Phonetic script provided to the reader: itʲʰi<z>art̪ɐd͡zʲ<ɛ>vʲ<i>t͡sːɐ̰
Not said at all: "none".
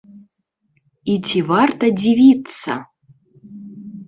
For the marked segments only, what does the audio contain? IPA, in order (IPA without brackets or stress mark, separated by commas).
v, i, i